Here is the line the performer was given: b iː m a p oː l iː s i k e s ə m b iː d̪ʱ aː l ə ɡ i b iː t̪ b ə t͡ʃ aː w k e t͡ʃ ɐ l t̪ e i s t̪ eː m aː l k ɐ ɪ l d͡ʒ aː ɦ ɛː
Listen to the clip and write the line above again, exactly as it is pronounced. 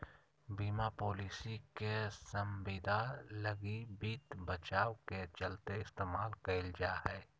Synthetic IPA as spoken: b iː m a p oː l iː s i k e s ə m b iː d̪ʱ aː l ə ɡ i b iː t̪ b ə t͡ʃ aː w k e t͡ʃ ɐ l t̪ e ɪ s t̪ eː m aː l k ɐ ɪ l d͡ʒ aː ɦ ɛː